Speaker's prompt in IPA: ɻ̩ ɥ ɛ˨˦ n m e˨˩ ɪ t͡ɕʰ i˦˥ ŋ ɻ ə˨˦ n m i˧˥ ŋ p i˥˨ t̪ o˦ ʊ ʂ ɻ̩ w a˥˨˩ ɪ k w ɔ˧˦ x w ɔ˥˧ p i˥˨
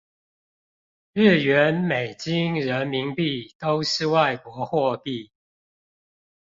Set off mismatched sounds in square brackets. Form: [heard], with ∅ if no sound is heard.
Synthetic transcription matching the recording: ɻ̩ ɥ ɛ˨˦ n m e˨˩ ɪ [t͡ɕ] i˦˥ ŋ ɻ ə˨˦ n m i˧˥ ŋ p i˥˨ t̪ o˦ ʊ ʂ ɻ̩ w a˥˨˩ ɪ k w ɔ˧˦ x w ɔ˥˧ p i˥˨